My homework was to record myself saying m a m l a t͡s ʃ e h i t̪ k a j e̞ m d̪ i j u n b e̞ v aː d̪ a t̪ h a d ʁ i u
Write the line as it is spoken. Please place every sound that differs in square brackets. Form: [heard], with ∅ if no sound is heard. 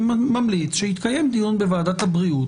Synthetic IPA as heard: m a m l [i] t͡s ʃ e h i t̪ k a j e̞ m d̪ i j u n b e̞ v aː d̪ a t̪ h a [b] ʁ i u